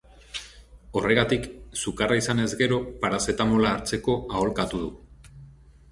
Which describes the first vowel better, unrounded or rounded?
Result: rounded